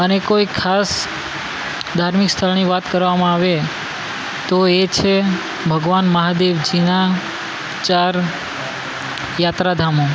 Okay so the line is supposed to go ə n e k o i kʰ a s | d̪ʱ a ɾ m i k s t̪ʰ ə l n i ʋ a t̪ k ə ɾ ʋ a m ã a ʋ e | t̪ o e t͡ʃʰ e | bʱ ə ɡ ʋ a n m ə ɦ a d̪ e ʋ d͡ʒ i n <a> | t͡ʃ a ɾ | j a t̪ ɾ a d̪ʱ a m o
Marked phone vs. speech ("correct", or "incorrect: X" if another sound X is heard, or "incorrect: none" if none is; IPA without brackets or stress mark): correct